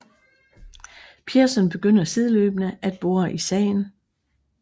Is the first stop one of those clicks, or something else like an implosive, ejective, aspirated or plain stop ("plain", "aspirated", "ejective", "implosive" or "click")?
aspirated